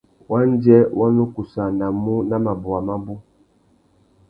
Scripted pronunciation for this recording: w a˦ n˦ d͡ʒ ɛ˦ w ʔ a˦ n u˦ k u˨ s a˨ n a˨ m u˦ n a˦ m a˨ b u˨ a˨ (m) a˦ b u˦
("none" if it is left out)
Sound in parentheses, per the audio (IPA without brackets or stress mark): m